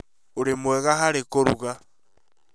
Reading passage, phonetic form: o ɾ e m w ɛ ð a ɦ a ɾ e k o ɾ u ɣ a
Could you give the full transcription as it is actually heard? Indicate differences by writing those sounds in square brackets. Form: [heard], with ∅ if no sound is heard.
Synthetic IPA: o ɾ e m w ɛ [ɣ] a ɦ a ɾ e k o ɾ u ɣ a